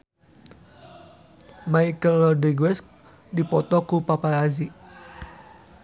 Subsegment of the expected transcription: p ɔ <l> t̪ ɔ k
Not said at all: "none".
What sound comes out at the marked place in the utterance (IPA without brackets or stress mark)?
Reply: none